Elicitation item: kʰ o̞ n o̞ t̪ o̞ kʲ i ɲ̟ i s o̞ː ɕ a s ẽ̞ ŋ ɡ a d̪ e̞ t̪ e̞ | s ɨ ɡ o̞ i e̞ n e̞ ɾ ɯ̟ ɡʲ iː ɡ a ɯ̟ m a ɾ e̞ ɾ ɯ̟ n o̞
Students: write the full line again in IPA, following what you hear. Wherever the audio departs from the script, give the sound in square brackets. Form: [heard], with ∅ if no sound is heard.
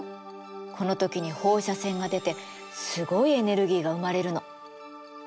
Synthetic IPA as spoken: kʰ o̞ n o̞ t̪ o̞ kʲ i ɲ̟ i [h] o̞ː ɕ a s ẽ̞ ŋ ɡ a d̪ e̞ t̪ e̞ | s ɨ ɡ o̞ i e̞ n e̞ ɾ ɯ̟ ɡʲ iː ɡ a ɯ̟ m a ɾ e̞ ɾ ɯ̟ n o̞

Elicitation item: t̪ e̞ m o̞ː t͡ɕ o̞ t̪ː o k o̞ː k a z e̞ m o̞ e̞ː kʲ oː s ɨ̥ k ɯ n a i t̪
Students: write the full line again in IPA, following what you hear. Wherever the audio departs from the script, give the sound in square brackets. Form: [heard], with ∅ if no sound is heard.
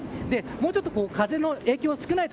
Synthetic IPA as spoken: [d̪] e̞ m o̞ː t͡ɕ o̞ t̪ː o k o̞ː k a z e̞ [n] o̞ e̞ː kʲ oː s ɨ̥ k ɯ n a i t̪

